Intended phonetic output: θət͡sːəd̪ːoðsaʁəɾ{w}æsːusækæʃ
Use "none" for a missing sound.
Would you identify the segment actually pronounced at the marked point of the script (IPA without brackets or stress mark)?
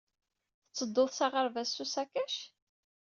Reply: v